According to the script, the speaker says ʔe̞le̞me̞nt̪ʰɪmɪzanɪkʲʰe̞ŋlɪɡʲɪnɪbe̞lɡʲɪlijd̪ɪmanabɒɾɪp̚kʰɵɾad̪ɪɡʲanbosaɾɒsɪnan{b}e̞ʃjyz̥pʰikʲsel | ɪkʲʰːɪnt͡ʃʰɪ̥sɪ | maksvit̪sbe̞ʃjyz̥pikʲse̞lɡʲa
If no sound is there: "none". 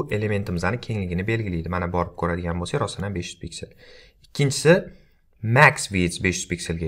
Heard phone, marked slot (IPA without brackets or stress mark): b